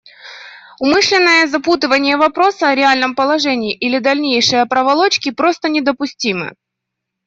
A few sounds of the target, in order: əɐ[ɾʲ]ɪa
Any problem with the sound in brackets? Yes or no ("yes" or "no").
no